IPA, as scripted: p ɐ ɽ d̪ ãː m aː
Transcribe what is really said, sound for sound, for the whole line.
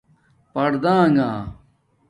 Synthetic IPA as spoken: p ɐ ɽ d̪ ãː ŋ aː